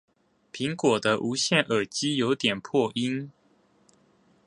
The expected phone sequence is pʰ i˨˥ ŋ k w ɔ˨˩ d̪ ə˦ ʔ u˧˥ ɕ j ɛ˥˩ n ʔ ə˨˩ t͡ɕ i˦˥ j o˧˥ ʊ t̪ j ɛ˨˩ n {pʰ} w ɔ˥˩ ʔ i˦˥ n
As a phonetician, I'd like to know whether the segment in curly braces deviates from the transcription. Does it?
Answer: no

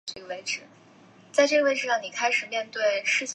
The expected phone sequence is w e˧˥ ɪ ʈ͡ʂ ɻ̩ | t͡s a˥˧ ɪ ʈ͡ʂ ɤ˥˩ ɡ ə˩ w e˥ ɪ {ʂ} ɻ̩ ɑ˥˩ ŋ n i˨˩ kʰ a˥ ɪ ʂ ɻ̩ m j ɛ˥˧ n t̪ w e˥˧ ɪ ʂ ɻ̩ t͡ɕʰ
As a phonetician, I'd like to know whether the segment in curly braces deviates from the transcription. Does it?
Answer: yes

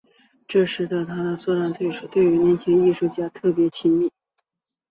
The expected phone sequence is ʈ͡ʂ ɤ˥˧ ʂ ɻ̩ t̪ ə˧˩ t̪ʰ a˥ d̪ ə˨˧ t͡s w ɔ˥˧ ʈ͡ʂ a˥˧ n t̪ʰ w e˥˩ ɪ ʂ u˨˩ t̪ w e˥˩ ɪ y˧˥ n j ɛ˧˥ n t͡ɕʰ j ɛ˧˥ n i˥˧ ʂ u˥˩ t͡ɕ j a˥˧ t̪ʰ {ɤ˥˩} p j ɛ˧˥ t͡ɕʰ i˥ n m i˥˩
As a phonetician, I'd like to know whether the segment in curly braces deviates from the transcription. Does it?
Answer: no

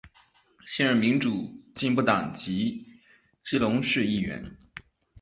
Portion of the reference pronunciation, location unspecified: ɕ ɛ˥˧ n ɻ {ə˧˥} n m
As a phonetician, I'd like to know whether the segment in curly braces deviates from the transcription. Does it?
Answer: yes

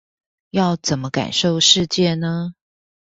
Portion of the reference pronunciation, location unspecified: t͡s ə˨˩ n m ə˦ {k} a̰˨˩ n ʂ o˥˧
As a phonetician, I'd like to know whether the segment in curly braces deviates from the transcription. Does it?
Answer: no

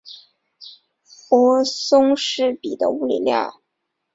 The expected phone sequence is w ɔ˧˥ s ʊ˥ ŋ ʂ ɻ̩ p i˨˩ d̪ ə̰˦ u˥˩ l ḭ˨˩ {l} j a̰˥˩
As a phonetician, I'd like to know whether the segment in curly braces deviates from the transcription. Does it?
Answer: no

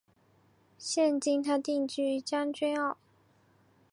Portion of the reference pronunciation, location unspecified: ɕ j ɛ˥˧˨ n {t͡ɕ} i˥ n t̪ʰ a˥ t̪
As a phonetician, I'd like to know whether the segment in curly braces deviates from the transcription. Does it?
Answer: no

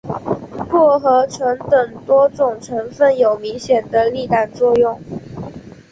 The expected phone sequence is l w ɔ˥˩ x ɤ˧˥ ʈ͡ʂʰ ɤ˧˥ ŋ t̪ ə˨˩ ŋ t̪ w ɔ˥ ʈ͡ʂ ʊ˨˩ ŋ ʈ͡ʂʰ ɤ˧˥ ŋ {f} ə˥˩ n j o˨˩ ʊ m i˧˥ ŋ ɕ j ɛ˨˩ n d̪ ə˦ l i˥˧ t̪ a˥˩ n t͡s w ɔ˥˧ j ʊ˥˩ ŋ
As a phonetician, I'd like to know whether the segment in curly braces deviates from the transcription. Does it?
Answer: no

